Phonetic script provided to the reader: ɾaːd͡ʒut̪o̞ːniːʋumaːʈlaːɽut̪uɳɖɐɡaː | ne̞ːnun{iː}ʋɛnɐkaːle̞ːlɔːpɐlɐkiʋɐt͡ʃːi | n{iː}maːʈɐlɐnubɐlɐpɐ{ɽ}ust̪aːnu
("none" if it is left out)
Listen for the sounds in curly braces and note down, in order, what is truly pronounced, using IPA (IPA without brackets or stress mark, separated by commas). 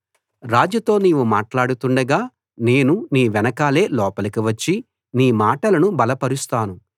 iː, iː, ɾ